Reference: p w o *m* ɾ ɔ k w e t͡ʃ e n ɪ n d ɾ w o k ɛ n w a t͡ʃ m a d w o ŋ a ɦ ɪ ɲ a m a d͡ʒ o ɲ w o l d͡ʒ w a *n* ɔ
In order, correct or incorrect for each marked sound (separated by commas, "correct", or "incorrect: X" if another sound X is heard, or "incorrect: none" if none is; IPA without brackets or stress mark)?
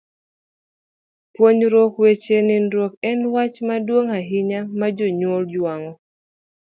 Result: incorrect: ɲ, incorrect: ŋ